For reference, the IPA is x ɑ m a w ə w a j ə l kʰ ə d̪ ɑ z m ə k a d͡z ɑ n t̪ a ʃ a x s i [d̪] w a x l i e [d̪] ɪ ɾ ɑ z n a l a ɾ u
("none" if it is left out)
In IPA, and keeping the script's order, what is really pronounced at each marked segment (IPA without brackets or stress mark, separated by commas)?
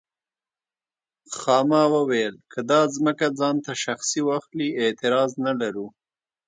none, t̪